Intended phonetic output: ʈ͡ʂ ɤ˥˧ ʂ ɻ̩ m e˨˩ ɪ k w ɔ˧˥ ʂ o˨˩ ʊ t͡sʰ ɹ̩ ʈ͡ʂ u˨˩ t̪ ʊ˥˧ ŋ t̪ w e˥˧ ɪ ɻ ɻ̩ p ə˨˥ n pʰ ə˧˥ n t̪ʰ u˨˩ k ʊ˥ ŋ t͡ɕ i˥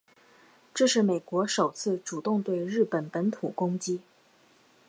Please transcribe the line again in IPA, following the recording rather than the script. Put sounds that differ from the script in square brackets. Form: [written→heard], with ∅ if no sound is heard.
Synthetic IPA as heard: ʈ͡ʂ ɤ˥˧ ʂ ɻ̩ m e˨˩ ɪ k w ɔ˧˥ ʂ o˨˩ ʊ t͡sʰ ɹ̩ ʈ͡ʂ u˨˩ t̪ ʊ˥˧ ŋ t̪ w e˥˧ ɪ ɻ ɻ̩ p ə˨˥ n [pʰ→p] ə˧˥ n t̪ʰ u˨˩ k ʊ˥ ŋ t͡ɕ i˥